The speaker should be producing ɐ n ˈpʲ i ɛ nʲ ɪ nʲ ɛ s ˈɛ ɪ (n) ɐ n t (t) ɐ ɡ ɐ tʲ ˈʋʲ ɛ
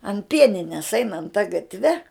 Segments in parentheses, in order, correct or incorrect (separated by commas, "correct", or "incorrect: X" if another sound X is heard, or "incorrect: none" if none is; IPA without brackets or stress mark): correct, correct